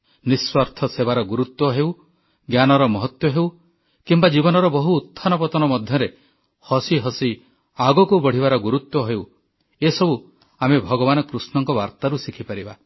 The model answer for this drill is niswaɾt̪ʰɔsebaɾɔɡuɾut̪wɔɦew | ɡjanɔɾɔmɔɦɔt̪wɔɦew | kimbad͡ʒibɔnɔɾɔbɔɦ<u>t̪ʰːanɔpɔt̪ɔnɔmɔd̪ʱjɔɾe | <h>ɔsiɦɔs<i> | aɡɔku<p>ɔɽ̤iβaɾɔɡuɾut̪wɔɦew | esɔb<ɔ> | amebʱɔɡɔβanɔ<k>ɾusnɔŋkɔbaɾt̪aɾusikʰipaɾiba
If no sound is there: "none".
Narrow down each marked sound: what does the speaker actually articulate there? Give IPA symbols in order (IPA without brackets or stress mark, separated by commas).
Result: uː, h, i, b, u, k